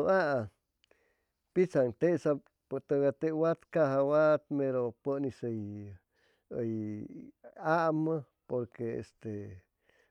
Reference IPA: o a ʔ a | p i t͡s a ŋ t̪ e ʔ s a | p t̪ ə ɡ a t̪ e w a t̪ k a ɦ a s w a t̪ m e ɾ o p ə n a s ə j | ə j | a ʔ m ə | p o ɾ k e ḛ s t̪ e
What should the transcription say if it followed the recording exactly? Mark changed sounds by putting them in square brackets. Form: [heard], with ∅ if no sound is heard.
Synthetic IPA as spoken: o a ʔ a | p i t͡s a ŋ t̪ e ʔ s a | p t̪ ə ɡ a t̪ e w a t̪ k a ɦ a [∅] w a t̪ m e ɾ o p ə n [i] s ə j | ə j | a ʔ m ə | p o ɾ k e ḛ s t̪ e